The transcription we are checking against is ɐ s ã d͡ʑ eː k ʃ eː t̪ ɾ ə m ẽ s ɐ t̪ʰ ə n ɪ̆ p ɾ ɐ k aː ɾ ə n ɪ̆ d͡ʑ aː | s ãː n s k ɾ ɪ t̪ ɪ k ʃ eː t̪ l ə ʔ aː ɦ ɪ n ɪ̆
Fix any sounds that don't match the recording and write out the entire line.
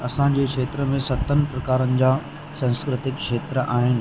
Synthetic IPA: ɐ s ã d͡ʑ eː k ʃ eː t̪ ɾ ə m ẽ s ɐ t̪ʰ ə n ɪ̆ p ɾ ɐ k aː ɾ ə n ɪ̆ d͡ʑ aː | s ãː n s k ɾ ɪ t̪ ɪ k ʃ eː t̪ ɾ ə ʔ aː ɦ ɪ n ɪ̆